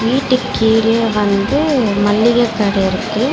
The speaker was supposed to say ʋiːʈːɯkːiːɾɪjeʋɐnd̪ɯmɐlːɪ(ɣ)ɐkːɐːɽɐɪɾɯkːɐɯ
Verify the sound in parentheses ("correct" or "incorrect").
correct